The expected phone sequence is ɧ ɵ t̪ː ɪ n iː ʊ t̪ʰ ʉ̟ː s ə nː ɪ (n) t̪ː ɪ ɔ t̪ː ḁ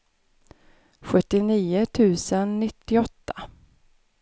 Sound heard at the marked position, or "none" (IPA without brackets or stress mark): none